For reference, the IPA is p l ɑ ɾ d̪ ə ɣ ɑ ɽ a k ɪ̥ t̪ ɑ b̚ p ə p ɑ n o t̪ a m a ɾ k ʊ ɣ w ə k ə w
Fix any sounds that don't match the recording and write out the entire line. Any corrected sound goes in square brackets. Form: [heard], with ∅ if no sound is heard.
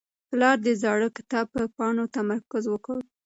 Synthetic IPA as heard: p l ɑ ɾ d̪ ə [z] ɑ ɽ [ə] k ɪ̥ t̪ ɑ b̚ p ə p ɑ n o t̪ a m a ɾ k ʊ [z] w ə k ə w